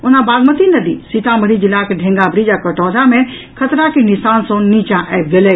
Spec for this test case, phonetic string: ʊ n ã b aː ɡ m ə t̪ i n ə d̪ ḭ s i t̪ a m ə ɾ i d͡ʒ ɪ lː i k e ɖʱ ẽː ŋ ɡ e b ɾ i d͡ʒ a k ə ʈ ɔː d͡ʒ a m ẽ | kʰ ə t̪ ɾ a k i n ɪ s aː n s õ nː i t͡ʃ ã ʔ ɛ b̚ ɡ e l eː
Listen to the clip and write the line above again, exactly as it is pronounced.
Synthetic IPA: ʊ n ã b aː ɡ m ə t̪ i n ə d̪ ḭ s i t̪ a m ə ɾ i d͡ʒ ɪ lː a k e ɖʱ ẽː ŋ ɡ a b ɾ i d͡ʒ a k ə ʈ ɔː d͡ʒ a m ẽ | kʰ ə t̪ ɾ a k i n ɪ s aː n s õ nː i t͡ʃ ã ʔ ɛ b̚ ɡ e l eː

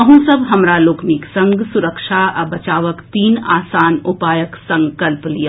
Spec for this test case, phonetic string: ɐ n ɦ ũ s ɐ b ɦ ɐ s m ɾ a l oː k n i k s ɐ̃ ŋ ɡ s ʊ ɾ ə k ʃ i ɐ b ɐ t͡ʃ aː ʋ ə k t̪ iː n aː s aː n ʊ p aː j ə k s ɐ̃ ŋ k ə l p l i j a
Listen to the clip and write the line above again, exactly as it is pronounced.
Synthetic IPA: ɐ ɦ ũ s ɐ b ɦ ɐ m ɾ a l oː k n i k s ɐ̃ ŋ ɡ s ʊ ɾ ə k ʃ a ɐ b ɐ t͡ʃ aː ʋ ə k t̪ iː n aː s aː n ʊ p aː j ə k s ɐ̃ ŋ k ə l p l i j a

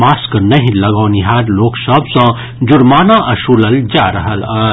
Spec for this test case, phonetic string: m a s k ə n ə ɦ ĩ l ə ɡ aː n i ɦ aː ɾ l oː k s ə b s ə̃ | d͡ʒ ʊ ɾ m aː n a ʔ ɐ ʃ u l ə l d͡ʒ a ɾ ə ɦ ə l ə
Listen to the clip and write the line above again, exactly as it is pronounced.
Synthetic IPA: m a s k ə n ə ɦ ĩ l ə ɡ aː n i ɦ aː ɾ l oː k s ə b s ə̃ | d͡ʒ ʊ ɾ m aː n a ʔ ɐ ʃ u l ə l d͡ʒ a ɾ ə ɦ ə l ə

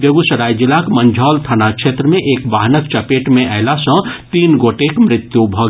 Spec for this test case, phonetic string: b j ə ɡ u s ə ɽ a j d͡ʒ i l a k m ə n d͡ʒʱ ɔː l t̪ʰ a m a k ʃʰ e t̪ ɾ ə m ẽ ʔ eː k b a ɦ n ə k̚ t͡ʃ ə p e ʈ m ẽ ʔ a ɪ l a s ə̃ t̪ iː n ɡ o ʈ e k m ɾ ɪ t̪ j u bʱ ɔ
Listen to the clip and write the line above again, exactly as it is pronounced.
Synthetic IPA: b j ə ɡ u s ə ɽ a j d͡ʒ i l a k m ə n d͡ʒʱ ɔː l t̪ʰ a n a k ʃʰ e t̪ ɾ ə m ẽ ʔ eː k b a ɦ n ə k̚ t͡ʃ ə p e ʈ m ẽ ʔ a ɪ l a s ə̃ t̪ iː n ɡ o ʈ e k m ɾ ɪ t̪ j u bʱ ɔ

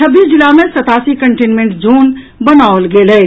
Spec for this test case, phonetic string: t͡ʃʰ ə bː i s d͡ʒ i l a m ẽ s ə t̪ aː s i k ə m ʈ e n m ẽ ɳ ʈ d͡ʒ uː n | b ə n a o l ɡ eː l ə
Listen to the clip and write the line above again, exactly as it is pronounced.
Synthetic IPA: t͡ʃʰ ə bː i s d͡ʒ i l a m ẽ s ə t̪ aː s i k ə ɳ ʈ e n m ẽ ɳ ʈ d͡ʒ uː n | b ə n a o l ɡ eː l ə

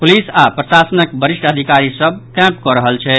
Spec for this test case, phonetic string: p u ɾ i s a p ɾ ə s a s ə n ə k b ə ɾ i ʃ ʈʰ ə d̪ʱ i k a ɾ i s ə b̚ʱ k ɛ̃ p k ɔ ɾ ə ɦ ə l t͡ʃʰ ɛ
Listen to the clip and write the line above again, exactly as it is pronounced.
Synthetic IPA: p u l i s a p ɾ ə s a s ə n ə k b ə ɾ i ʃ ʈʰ ə d̪ʱ i k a ɾ i s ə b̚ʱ k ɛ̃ p k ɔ ɾ ə ɦ ə l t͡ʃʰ ɛ

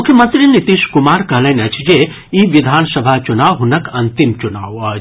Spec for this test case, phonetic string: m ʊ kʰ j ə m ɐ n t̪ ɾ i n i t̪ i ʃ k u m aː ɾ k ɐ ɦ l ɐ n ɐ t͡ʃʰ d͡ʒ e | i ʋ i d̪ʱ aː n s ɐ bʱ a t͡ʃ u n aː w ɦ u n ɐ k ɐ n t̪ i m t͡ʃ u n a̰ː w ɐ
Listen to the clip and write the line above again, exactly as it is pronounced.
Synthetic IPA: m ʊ kʰ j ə m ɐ n t̪ ɾ i n i t̪ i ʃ k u m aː ɾ k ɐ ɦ l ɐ n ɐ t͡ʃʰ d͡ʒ e | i ʋ i d̪ʱ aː n s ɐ bʱ a t͡ʃ u n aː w ɦ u n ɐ k ɐ n t̪ i m t͡ʃ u n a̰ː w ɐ

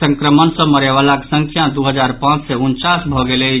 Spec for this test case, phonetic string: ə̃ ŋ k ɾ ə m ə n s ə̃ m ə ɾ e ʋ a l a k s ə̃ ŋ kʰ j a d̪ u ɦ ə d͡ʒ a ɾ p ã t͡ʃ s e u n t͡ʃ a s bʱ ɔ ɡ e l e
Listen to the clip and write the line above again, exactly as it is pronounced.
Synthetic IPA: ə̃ ŋ k ɾ ə m ə n s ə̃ m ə ɾ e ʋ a l a k s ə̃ ŋ kʰ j a d̪ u ɦ ə d͡ʒ a ɾ p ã t͡ʃ s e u n t͡ʃ a s bʱ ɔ ɡ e l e

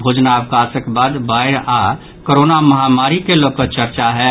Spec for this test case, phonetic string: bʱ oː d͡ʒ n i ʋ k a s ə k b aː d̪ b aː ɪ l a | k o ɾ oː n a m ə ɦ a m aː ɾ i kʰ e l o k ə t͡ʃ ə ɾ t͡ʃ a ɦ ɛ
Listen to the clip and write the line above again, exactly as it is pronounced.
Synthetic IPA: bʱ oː d͡ʒ n a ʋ k a s ə k b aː d̪ b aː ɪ ɾ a | k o ɾ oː n a m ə ɦ a m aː ɾ i k e l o k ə t͡ʃ ə ɾ t͡ʃ a ɦ ɛ

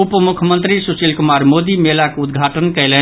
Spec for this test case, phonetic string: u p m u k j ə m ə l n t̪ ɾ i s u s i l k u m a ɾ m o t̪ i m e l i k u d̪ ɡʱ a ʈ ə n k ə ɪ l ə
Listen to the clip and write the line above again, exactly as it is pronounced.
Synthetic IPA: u p m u kʰ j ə m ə n t̪ ɾ i s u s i l k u m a ɾ m o d̪ i m e l a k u d̪ ɡʱ a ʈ ə n k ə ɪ l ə

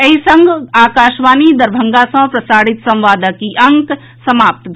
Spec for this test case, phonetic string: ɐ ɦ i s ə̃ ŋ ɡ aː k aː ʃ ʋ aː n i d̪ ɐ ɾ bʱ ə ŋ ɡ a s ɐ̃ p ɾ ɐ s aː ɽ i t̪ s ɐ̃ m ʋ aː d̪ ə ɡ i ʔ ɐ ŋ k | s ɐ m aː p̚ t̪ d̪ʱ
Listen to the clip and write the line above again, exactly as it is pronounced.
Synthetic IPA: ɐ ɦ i s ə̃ ŋ ɡ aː k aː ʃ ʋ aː n i d̪ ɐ ɾ bʱ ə ŋ ɡ a s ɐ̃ p ɾ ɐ s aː ɽ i t̪ s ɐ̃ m ʋ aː d̪ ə k i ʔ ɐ ŋ k | s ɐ m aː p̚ t̪ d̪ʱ

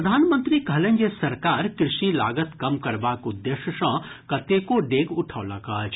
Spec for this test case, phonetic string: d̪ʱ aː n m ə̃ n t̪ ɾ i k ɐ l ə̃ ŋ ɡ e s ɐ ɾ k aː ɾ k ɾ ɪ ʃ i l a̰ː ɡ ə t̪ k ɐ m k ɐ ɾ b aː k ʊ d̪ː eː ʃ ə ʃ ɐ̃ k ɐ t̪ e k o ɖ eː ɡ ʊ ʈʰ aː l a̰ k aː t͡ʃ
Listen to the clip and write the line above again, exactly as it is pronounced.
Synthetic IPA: d̪ʱ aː n m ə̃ n t̪ ɾ i k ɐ l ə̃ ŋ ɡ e s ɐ ɾ k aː ɾ k ɾ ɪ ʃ i l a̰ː ɡ ə t̪ k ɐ m k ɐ ɾ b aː k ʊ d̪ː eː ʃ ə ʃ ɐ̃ k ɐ t̪ e k o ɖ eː ɡ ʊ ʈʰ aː l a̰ k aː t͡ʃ

